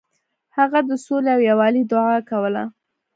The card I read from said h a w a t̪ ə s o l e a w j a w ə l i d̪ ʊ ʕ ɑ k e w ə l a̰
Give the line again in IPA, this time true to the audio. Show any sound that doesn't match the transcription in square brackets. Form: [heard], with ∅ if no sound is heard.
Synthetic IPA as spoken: h a [ɣ] a [d̪] ə s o l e a w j a w [ɑ] l i d̪ ʊ ʕ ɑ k [a] w ə l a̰

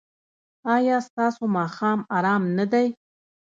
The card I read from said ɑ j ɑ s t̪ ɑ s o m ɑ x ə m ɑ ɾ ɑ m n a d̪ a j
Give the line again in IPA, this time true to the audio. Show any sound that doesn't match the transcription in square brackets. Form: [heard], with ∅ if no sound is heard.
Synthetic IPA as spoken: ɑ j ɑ s t̪ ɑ s o m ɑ x [ɑ] m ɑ ɾ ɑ m n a d̪ a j

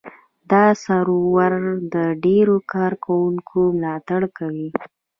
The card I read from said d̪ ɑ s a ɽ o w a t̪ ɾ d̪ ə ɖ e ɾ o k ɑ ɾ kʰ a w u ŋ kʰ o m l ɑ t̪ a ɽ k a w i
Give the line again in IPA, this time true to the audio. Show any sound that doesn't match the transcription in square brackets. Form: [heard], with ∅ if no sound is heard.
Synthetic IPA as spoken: d̪ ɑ s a [ɾ] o w a [∅] ɾ d̪ ə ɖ e ɾ o k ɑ ɾ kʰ a w u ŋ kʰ o m l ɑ t̪ a ɽ k a w i

